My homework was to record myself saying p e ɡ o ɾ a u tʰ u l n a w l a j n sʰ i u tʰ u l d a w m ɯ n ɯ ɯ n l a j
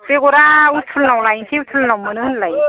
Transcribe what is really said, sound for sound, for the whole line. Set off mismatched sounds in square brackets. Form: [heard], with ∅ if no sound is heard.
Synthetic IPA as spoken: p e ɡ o ɾ a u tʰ u l n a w l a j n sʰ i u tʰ u l [n] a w m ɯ n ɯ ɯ n l a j